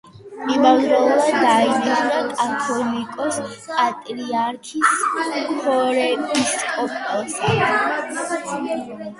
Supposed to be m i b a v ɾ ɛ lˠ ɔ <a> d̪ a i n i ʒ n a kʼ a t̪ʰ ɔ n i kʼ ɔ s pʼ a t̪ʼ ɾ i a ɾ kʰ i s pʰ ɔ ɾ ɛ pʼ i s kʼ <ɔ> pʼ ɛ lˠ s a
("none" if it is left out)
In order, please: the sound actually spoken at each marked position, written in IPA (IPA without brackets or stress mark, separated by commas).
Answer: a, ɔ